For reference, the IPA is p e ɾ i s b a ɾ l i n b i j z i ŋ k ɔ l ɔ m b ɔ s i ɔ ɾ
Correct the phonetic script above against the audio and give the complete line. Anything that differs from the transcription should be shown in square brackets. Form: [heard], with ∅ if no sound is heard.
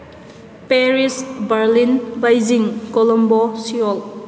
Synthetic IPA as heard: p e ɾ i s b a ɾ l i n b [a] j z i ŋ k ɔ l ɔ m b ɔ s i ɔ [l]